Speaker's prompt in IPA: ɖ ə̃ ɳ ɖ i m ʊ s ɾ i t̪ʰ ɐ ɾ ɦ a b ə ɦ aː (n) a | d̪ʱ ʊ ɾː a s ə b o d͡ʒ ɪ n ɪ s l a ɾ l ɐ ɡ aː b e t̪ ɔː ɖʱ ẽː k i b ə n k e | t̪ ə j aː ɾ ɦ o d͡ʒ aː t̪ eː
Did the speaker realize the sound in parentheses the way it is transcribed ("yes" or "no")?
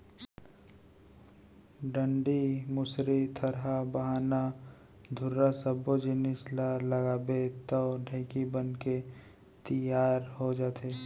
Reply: yes